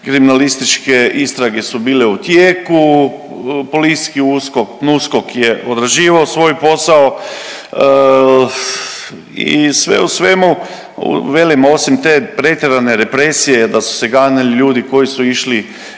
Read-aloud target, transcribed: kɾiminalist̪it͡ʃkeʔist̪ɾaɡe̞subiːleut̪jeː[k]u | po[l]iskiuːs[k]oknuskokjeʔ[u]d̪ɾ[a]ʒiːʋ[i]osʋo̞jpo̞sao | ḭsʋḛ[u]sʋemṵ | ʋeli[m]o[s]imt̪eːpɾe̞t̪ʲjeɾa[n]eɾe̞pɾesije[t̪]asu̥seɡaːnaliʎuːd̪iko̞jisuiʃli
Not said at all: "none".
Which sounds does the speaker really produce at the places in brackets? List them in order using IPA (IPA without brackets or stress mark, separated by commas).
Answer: k, l, k, o, a, a, u, m, s, n, d̪